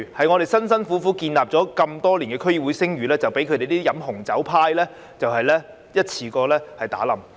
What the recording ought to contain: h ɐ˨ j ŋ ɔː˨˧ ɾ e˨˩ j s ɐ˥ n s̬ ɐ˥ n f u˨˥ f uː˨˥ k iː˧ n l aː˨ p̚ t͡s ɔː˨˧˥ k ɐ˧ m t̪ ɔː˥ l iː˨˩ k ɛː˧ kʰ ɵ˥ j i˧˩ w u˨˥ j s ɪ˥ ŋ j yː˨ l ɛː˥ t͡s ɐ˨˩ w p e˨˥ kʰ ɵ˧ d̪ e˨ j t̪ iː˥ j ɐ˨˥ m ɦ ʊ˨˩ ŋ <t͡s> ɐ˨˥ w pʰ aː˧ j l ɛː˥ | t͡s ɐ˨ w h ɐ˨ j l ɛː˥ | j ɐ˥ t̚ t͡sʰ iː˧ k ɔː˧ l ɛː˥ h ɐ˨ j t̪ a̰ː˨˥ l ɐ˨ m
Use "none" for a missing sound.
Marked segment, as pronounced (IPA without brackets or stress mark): t͡s